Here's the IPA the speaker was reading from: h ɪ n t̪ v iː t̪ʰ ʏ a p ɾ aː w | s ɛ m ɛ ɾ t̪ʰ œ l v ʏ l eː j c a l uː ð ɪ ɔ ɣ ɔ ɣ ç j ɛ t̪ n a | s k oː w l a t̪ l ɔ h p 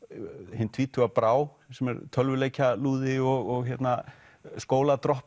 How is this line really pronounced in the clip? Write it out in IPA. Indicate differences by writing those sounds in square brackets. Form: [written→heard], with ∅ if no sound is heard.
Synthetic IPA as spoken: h ɪ n [t̪→t̪ʰ] v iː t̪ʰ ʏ a p ɾ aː w | s ɛ m ɛ ɾ t̪ʰ œ l v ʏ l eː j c a l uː ð ɪ ɔ ɣ ɔ ɣ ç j ɛ t̪ n a | s k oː w l a t̪ [l→ɾ] ɔ h p